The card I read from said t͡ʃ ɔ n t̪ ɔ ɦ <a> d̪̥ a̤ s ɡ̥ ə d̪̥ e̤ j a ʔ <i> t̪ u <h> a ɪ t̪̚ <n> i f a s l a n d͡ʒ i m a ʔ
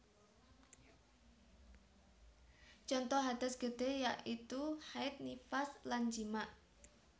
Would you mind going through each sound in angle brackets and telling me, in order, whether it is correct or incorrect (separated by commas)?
correct, correct, correct, correct